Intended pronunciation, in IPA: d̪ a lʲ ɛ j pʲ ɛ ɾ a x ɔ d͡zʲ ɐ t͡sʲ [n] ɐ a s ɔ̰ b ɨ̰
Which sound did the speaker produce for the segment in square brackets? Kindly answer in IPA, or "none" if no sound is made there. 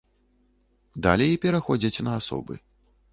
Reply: n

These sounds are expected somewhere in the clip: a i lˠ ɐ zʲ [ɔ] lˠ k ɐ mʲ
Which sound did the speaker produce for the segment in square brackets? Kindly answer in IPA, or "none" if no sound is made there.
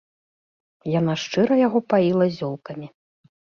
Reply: ɔ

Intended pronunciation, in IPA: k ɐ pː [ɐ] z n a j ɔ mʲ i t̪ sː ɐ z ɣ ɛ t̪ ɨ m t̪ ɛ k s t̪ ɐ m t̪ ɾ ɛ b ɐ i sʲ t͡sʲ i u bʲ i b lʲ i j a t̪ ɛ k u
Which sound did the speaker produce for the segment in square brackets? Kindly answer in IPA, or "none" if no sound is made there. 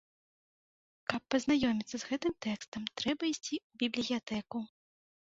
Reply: ɐ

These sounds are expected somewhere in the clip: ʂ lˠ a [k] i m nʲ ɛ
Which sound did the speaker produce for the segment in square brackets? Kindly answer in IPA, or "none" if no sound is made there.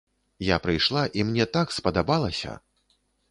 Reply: ʔ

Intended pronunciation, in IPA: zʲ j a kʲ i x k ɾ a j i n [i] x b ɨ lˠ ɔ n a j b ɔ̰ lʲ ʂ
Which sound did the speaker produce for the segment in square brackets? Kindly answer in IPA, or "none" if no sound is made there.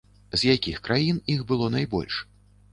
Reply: i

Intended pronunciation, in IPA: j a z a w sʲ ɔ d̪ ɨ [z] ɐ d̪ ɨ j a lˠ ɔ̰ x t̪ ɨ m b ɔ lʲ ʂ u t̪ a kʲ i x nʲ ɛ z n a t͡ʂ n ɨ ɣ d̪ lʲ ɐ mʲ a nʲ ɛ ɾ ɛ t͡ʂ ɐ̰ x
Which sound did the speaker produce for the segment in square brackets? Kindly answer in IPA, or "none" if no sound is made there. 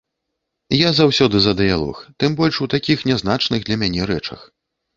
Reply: z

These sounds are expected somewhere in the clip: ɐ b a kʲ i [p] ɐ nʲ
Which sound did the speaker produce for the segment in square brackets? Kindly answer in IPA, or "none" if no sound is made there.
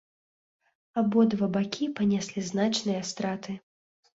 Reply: p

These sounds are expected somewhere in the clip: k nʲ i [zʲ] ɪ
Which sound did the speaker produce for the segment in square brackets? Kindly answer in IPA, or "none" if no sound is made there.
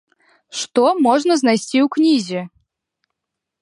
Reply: zʲ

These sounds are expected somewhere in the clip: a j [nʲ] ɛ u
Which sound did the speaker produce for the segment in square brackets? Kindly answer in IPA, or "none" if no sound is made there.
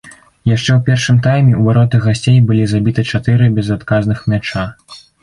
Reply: mʲ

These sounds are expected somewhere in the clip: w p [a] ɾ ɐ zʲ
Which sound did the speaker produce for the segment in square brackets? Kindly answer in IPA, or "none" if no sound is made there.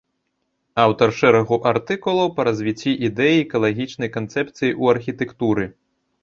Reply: ɐ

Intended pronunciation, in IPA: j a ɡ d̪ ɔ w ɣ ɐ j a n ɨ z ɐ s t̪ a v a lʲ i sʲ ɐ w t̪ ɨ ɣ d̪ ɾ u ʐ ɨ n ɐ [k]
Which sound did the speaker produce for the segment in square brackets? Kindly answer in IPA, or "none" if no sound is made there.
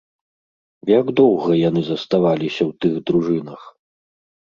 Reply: x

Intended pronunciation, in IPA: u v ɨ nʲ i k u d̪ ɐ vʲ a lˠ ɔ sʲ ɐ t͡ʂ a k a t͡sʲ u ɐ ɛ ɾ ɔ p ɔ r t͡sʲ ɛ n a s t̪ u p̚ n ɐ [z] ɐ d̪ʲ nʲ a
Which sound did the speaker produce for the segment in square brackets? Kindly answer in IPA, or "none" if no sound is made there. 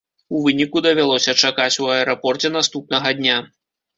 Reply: ɣ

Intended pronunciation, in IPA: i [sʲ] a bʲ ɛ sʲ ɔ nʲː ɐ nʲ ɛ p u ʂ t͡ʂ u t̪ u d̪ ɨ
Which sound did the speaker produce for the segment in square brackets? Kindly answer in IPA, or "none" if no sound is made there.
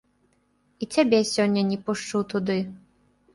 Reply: t͡sʲ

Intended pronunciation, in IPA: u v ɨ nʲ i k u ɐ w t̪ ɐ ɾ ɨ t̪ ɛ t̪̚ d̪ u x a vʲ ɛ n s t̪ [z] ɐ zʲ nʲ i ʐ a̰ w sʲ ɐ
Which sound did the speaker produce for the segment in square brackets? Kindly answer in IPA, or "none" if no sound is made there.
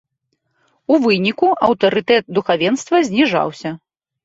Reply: v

